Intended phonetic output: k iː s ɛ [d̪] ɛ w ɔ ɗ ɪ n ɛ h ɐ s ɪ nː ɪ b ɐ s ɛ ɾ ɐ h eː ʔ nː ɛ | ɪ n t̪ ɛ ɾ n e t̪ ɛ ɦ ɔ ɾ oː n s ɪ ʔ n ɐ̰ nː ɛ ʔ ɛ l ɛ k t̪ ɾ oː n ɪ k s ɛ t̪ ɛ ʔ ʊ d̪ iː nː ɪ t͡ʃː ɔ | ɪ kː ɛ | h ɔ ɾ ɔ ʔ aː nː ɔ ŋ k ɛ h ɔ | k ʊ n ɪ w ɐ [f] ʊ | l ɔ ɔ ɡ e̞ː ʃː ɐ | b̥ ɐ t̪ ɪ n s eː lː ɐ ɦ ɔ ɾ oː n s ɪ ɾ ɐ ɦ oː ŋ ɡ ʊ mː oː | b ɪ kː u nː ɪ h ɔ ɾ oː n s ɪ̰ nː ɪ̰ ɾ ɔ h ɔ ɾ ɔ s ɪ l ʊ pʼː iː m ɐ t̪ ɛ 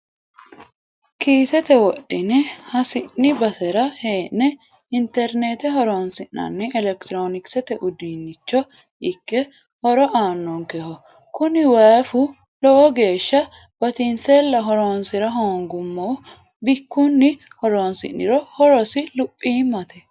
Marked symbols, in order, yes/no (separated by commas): no, yes